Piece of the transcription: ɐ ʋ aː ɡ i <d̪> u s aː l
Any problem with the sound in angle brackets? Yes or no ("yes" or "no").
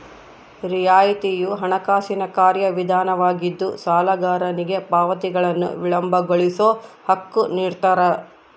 yes